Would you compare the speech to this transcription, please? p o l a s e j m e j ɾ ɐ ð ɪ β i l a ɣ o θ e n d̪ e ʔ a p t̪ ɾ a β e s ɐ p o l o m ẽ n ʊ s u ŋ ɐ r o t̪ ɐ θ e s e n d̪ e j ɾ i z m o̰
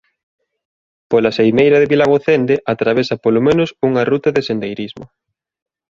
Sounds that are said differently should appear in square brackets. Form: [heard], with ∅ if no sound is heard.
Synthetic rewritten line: p o l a s e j m e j ɾ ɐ ð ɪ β i l a ɣ o θ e n d̪ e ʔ a [∅] t̪ ɾ a β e s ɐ p o l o m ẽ n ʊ s u ŋ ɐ r [u] t̪ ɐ [ð] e s e n d̪ e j ɾ i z m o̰